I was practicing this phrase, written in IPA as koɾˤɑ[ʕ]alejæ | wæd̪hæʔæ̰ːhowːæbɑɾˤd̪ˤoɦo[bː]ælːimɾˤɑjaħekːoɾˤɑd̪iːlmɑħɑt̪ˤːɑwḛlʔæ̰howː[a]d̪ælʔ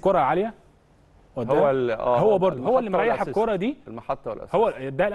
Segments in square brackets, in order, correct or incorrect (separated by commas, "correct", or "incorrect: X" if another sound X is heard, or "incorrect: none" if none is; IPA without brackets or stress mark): correct, incorrect: wː, incorrect: æ